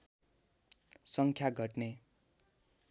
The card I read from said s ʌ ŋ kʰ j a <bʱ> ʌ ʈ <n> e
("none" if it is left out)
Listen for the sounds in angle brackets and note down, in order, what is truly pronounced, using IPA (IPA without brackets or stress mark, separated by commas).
ɡʱ, n